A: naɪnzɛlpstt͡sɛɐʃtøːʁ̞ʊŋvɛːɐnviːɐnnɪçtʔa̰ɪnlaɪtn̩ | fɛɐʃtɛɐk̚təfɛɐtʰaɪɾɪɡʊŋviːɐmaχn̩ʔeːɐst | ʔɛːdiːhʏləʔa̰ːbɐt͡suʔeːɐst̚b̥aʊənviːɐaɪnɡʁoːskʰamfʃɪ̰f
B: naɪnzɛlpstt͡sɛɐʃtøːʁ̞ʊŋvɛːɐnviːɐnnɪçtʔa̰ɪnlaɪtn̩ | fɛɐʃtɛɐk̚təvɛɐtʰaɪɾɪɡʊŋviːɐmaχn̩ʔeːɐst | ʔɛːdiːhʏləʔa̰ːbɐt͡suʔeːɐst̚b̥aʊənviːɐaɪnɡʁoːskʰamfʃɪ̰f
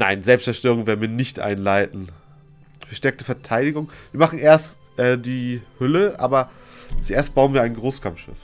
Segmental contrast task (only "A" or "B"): A